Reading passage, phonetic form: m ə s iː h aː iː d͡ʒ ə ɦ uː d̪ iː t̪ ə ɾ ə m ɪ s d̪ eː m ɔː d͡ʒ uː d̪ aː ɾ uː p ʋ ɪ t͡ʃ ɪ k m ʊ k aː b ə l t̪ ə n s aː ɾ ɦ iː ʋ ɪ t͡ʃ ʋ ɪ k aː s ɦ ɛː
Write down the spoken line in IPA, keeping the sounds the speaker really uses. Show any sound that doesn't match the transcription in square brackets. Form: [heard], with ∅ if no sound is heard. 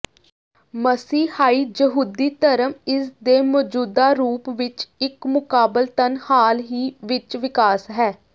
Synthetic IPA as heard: m ə s iː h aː iː d͡ʒ ə ɦ uː d̪ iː t̪ ə ɾ ə m ɪ s d̪ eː m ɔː d͡ʒ uː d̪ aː ɾ uː p ʋ ɪ t͡ʃ ɪ k m ʊ k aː b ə l t̪ ə n [h] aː [l] ɦ iː ʋ ɪ t͡ʃ ʋ ɪ k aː s ɦ ɛː